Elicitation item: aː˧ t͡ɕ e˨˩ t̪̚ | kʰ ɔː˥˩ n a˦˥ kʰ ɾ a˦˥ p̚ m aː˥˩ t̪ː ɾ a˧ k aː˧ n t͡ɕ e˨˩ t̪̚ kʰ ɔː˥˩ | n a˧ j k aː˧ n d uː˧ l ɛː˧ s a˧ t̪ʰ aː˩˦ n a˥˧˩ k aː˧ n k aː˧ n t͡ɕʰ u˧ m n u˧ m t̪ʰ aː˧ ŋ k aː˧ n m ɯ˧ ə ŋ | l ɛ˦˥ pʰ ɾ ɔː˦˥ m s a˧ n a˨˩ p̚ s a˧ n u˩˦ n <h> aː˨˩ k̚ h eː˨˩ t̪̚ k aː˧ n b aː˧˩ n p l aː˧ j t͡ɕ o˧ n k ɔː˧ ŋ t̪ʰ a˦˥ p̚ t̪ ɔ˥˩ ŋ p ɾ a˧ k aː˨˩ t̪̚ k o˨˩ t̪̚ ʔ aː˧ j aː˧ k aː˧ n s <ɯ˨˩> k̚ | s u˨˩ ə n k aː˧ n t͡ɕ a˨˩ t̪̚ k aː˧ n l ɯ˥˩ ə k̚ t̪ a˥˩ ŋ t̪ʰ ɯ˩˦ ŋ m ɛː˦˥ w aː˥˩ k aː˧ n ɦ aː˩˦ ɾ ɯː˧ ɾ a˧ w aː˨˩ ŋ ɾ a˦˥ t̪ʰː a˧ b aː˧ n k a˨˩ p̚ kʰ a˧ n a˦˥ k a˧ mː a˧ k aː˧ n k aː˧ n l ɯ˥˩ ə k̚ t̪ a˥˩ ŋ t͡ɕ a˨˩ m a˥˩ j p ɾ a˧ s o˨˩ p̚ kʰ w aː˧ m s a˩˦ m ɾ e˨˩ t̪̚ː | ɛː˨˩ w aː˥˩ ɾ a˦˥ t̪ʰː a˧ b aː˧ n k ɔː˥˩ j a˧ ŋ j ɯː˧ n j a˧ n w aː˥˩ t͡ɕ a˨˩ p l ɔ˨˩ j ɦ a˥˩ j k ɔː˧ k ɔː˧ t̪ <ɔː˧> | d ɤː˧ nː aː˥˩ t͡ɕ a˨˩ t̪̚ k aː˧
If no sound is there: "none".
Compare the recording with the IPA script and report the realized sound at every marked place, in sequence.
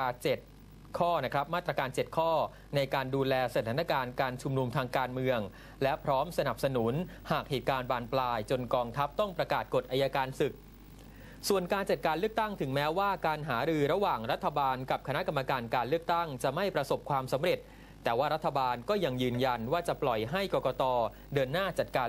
h, ɯ˨˩, ɔː˧

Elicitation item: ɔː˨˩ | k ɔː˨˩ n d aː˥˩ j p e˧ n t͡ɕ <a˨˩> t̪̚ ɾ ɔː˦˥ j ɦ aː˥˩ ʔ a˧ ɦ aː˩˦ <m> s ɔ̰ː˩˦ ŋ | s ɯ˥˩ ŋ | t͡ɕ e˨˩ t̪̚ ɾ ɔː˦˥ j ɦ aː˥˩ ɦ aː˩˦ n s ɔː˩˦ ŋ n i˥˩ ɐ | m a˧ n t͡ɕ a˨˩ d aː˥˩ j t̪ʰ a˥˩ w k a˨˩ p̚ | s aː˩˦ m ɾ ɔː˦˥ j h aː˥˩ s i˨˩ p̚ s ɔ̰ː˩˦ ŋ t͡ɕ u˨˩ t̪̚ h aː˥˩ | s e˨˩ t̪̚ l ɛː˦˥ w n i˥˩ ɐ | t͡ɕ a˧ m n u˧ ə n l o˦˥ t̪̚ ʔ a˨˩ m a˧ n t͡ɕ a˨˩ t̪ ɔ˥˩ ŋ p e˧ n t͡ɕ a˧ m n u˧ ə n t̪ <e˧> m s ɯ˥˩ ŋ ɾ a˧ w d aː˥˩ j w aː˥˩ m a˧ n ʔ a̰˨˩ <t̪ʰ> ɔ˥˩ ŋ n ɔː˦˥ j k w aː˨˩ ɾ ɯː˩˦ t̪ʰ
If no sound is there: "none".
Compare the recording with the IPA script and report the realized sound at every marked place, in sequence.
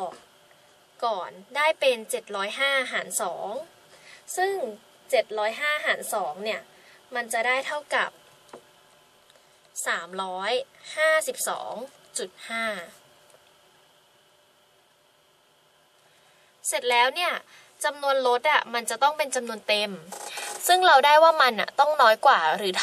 e˨˩, n, e˧, t̪

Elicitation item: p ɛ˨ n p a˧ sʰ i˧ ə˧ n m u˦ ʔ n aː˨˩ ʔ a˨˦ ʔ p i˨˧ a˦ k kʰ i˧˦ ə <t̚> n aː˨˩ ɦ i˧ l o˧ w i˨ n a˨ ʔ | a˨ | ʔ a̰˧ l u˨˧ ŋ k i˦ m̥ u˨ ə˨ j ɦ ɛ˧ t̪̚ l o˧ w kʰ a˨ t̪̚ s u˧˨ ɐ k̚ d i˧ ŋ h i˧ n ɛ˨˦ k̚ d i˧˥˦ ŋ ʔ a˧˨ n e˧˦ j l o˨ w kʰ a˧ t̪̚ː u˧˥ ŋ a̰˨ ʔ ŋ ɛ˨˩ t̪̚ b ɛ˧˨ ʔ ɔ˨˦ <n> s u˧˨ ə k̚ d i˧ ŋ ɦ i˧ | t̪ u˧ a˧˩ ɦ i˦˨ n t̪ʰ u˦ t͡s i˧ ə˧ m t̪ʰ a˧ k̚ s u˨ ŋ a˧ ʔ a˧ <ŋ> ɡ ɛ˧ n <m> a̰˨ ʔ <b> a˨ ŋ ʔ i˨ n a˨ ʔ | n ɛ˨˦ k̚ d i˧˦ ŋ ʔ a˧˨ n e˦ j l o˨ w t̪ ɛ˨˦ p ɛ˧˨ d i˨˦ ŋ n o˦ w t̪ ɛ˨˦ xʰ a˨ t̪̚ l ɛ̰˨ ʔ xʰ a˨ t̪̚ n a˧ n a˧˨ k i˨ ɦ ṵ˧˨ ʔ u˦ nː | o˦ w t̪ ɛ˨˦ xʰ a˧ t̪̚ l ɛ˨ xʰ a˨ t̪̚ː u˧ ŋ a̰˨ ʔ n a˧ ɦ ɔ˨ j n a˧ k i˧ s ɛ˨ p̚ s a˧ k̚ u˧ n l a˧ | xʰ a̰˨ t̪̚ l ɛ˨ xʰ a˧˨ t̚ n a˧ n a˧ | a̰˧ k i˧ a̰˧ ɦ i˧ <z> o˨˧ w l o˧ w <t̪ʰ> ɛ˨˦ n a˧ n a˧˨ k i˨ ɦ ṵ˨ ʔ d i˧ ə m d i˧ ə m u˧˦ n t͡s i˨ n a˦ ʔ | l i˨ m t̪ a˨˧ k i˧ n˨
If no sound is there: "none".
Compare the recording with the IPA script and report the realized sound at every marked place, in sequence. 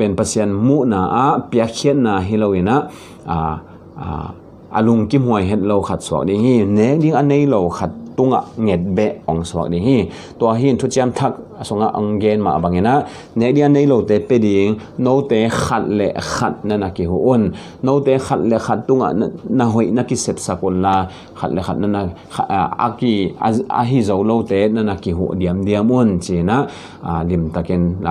t̚, ŋ, ŋ, m, b, z, t̪

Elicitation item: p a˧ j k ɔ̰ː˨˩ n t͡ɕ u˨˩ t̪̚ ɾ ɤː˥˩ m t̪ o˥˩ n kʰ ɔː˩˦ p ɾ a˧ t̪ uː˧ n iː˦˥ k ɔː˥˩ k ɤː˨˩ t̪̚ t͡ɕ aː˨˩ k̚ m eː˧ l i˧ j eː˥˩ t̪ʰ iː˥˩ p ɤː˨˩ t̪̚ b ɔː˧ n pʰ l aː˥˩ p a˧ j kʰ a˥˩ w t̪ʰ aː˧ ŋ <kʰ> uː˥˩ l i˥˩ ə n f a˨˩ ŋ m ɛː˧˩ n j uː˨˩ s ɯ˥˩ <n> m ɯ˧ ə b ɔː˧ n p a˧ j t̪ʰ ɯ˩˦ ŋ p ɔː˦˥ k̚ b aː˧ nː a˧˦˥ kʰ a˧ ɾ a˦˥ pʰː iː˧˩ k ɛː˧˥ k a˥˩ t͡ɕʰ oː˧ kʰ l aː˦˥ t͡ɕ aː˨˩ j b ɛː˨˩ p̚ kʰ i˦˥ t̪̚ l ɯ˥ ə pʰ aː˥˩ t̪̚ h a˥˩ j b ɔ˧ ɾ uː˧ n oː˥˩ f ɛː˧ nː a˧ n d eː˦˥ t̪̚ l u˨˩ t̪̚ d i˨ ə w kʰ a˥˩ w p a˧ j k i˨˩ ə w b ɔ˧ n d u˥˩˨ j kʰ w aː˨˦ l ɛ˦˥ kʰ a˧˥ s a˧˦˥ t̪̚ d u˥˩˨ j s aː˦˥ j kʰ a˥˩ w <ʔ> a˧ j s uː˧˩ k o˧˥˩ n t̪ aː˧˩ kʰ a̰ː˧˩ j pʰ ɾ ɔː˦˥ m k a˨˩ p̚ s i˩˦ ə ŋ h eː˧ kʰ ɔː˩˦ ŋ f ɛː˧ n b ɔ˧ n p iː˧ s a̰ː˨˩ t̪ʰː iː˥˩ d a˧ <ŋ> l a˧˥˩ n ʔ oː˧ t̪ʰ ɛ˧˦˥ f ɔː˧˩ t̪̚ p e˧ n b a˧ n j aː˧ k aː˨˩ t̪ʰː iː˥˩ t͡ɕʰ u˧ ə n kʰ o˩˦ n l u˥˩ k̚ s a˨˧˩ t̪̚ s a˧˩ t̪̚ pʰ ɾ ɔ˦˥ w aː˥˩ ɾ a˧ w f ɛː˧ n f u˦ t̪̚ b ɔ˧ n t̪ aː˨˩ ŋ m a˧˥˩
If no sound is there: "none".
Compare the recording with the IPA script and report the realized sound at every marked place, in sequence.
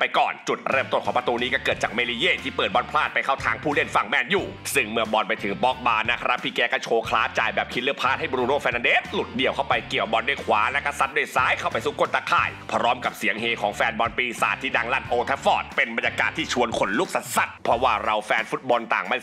pʰ, ŋ, p, ŋ

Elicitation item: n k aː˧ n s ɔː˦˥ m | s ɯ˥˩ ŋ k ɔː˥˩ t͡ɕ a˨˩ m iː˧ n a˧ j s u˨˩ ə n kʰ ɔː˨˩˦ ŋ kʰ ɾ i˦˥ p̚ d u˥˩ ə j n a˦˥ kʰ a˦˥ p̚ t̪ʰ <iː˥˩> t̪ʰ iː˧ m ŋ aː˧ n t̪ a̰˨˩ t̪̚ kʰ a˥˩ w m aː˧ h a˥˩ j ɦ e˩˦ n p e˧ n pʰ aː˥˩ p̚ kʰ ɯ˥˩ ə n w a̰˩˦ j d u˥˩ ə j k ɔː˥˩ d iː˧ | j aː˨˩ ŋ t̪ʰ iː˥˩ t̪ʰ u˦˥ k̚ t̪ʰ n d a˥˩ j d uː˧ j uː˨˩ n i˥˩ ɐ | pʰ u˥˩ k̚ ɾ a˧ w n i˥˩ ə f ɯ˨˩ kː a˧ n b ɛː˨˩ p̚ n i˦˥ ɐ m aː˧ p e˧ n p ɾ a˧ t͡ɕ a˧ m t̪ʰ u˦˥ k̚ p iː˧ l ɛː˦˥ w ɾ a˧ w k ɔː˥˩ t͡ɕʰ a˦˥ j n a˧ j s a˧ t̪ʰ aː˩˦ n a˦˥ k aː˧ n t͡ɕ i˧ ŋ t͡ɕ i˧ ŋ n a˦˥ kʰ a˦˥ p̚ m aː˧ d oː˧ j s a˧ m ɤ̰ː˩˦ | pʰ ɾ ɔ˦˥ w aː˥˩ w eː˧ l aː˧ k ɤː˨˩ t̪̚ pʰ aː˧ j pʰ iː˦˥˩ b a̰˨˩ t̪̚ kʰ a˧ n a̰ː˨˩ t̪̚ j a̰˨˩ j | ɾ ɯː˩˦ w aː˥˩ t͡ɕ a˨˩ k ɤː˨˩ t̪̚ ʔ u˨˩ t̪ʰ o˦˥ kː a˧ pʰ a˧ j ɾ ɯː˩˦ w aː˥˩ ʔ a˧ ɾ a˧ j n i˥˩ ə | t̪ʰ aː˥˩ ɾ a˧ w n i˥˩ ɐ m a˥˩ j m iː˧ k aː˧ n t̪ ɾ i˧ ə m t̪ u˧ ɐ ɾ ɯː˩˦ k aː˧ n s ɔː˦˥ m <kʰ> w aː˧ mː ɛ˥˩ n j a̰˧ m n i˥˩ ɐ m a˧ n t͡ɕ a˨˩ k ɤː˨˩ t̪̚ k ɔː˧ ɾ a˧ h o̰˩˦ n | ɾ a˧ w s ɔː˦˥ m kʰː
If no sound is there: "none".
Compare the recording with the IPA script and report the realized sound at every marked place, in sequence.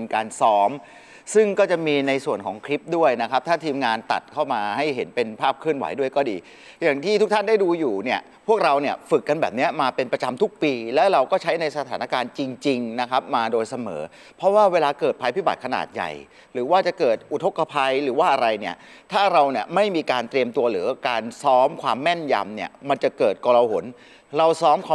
aː˥˩, kʰ

